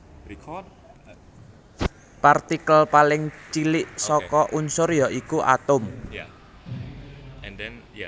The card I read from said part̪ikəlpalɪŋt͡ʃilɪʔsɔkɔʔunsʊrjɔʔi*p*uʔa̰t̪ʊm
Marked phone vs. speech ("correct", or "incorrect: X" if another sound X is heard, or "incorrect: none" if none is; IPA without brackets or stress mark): incorrect: k